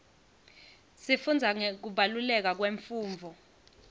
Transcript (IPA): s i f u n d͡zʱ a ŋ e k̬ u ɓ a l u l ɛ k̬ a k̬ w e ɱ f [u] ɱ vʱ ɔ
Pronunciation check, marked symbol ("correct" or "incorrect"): incorrect